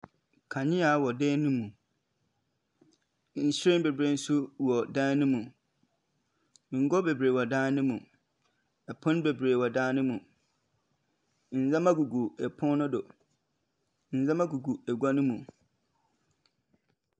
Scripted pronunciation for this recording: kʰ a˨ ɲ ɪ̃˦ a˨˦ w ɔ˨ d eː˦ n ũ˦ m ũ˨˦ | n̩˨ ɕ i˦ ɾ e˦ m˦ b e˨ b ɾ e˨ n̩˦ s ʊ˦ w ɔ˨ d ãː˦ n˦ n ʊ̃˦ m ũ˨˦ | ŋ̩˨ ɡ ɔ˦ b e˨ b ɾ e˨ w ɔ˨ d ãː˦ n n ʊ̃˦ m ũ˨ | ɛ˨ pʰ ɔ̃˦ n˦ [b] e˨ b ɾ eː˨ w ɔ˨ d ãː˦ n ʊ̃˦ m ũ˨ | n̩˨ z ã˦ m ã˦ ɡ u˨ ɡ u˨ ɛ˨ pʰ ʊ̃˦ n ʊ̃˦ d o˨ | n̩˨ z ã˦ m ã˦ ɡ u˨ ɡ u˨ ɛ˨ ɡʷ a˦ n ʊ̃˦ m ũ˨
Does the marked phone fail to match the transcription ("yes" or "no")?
no